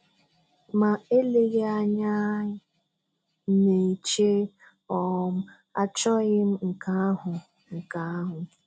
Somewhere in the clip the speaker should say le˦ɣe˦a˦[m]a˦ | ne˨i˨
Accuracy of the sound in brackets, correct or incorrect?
incorrect